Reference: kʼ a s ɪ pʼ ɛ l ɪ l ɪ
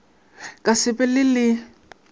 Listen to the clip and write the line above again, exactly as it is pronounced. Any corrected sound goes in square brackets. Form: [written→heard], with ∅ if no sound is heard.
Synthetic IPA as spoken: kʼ a s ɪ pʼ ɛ l ɪ l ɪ